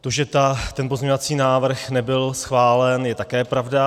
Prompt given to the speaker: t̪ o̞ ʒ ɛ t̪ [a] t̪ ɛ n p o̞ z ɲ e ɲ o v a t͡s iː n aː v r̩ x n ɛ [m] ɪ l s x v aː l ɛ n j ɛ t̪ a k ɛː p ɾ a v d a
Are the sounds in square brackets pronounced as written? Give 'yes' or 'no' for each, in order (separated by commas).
yes, no